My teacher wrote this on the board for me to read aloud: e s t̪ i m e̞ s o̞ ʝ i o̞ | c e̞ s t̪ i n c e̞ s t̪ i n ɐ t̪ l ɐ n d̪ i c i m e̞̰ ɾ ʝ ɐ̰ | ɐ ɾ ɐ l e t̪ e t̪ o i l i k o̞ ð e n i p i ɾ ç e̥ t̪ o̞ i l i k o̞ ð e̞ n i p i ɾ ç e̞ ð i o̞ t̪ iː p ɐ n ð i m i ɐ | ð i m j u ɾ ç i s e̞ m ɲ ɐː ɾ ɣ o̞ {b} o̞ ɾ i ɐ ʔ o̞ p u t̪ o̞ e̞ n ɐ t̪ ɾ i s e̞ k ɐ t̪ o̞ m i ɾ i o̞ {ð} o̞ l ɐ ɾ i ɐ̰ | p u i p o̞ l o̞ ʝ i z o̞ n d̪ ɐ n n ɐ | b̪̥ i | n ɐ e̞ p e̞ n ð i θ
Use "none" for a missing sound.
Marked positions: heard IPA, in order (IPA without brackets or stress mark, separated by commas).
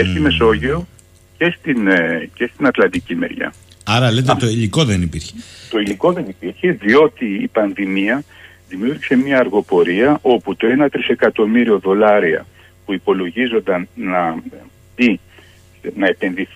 p, ð